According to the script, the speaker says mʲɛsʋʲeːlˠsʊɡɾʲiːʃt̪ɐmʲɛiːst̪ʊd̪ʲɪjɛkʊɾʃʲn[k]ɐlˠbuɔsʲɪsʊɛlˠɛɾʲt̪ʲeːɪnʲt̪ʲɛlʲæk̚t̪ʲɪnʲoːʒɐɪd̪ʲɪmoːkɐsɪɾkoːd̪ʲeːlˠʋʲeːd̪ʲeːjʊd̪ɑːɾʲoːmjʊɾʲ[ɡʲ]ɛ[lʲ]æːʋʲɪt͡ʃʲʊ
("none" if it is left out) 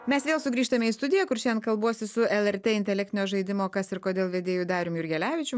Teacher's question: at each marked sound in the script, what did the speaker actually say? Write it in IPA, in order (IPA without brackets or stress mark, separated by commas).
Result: k, ɡʲ, lʲ